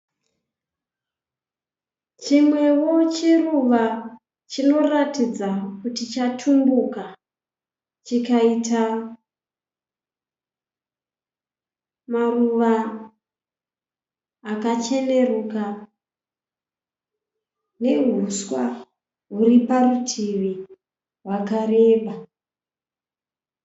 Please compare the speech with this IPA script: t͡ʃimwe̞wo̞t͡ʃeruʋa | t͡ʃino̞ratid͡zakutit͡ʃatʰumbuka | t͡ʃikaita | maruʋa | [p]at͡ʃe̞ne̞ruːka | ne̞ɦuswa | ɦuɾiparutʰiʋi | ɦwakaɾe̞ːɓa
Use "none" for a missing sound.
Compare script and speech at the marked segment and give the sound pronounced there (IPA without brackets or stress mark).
k